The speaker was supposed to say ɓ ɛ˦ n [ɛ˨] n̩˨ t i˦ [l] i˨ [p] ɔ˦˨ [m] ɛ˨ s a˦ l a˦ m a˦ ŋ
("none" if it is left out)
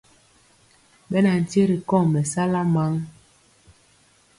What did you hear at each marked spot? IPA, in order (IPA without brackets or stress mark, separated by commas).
a˨, ɾ, k, m